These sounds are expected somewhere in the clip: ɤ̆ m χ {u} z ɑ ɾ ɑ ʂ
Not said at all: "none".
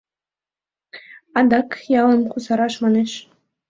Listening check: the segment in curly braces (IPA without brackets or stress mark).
u